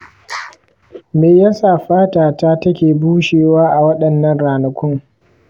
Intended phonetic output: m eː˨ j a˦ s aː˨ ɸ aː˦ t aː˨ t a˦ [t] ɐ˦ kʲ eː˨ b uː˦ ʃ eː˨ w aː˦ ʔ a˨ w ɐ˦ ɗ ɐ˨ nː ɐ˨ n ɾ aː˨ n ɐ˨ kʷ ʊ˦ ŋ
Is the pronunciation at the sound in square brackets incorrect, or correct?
correct